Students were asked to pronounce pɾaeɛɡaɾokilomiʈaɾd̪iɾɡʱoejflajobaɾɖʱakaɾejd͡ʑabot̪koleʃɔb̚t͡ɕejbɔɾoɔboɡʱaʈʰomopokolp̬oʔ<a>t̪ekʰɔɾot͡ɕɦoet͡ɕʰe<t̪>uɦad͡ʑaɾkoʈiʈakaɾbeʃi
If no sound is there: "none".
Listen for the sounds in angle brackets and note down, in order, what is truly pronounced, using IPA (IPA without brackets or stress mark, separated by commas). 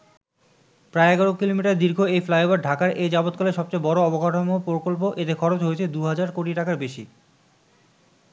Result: e, d̪